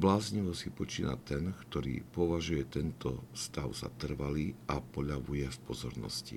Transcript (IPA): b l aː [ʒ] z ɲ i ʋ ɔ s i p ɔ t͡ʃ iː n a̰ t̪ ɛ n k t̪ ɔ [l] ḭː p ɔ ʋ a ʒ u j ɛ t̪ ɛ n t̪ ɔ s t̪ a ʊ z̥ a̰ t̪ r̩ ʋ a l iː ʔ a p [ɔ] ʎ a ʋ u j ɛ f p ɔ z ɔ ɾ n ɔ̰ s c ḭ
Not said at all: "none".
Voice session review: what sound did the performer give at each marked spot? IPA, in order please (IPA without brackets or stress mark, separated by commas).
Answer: none, ɾ, ɔ